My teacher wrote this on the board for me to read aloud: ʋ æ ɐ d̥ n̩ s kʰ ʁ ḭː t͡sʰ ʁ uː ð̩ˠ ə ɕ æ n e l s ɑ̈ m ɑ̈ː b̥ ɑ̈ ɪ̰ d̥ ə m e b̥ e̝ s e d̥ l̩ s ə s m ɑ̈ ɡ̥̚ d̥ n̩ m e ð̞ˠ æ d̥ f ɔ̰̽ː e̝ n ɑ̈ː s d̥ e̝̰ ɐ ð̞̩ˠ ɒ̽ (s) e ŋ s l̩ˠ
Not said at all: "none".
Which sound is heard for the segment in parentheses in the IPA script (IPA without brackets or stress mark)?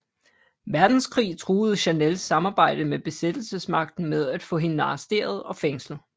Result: f